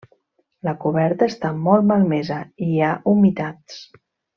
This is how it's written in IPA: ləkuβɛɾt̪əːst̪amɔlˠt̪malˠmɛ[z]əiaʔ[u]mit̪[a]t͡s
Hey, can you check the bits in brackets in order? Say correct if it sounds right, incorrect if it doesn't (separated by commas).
correct, correct, correct